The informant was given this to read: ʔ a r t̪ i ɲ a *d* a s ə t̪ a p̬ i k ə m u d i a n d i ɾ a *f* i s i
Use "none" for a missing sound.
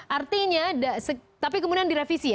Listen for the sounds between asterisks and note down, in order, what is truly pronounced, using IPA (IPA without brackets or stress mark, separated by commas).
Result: d, f